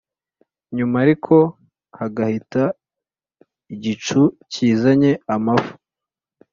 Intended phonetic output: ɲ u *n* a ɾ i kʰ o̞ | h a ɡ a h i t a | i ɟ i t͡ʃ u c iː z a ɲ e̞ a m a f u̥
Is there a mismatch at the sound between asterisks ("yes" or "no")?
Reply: yes